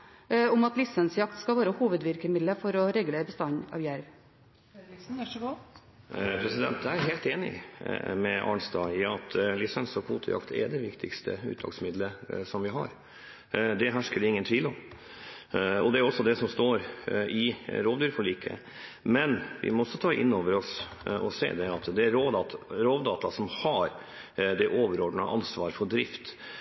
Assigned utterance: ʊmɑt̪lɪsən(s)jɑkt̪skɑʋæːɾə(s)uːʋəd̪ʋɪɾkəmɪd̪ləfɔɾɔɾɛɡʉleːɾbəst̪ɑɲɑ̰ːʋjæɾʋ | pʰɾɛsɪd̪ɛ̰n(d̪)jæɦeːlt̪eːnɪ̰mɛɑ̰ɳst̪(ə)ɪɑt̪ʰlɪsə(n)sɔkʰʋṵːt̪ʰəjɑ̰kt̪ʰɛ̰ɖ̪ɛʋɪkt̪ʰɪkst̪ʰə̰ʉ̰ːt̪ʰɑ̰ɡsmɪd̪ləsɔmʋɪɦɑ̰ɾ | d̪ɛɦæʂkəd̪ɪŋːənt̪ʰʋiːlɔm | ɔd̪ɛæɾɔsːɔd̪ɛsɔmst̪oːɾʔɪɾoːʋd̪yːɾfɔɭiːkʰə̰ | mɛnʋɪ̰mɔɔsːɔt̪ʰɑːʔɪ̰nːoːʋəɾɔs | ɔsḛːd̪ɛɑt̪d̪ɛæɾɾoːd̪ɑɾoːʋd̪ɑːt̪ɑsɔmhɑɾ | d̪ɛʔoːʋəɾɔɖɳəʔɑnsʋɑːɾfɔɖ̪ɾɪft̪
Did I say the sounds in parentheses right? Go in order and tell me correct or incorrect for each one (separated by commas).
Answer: correct, incorrect, incorrect, incorrect, correct